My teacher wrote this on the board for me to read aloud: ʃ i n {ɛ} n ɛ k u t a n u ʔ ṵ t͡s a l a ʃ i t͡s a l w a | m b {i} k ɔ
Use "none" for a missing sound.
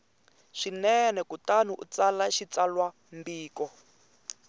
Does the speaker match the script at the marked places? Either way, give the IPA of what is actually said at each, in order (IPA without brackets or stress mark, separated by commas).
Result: ɛ, iː